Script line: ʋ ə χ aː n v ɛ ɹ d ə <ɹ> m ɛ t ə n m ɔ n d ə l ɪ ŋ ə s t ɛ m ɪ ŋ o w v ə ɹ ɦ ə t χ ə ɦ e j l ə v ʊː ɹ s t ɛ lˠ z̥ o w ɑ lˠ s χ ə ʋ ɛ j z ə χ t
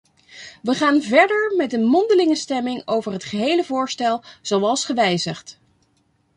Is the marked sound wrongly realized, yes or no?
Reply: no